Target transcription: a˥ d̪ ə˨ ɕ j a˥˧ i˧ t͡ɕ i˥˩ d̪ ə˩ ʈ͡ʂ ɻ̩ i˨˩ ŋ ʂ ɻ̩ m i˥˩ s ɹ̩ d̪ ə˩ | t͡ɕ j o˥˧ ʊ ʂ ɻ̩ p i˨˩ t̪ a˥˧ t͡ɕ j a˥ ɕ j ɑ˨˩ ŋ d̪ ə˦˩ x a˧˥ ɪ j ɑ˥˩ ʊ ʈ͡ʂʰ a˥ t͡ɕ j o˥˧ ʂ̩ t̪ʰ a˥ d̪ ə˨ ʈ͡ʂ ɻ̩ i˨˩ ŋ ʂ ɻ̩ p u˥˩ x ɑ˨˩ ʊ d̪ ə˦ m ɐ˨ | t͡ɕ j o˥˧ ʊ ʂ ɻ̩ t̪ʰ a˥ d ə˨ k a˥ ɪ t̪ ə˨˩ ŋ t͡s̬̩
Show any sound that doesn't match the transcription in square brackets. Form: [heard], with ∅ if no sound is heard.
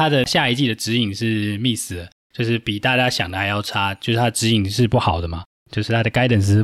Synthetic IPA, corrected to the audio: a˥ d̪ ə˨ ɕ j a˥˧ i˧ t͡ɕ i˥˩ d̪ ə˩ ʈ͡ʂ ɻ̩ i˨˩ ŋ ʂ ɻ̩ m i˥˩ s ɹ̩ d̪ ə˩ | t͡ɕ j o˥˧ ʊ ʂ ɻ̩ p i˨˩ t̪ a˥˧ t͡ɕ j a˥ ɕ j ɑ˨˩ ŋ d̪ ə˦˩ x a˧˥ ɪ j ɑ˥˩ ʊ ʈ͡ʂʰ a˥ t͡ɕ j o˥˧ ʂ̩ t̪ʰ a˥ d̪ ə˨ ʈ͡ʂ ɻ̩ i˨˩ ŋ ʂ ɻ̩ p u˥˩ x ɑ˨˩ ʊ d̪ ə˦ m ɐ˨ | t͡ɕ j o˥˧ ʊ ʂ ɻ̩ t̪ʰ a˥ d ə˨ k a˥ ɪ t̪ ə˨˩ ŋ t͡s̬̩